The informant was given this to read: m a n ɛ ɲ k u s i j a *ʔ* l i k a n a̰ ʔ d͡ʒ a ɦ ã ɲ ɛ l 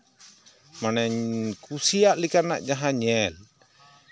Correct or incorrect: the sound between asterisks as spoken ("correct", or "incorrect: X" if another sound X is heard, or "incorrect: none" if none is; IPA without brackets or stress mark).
correct